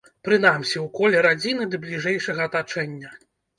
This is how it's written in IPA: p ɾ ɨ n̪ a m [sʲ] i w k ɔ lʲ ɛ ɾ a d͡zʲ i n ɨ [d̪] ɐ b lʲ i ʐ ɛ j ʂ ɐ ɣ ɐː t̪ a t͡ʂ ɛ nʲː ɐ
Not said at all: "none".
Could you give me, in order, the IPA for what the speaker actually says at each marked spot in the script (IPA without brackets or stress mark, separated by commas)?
sʲ, d̪